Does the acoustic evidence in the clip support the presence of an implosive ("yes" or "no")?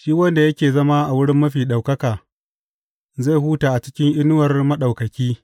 yes